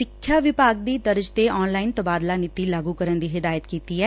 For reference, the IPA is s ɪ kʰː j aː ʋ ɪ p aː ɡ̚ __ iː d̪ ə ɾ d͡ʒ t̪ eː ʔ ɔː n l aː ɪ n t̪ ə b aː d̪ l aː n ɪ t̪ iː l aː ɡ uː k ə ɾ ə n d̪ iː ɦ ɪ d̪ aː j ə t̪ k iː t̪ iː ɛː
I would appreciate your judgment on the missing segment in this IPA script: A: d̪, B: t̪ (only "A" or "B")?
A